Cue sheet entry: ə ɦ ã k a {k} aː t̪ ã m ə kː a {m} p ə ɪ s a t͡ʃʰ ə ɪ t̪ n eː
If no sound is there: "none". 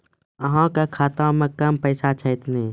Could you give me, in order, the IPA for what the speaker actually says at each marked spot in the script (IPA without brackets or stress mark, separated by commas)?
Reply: kʰ, m